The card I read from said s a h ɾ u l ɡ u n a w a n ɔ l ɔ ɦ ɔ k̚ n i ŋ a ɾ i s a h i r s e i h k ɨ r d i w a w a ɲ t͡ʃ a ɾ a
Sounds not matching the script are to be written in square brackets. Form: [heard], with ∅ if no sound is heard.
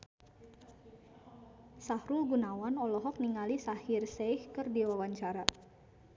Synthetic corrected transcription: s a h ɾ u l ɡ u n a w a n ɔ l ɔ ɦ ɔ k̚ n i ŋ a [l] i s a h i r s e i h k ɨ r d i w a w a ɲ t͡ʃ a ɾ a